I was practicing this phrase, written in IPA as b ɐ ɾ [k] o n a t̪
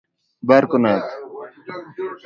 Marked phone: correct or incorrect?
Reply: correct